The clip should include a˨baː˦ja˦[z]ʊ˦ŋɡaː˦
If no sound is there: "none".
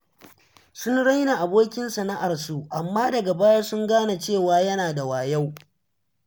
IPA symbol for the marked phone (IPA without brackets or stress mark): s